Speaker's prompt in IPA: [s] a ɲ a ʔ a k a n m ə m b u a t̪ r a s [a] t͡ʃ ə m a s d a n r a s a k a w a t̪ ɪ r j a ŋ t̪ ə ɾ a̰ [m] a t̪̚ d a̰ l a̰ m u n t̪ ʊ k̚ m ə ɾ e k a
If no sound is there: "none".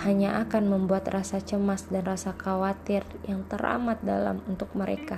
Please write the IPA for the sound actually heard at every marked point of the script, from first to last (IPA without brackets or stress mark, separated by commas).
h, a, m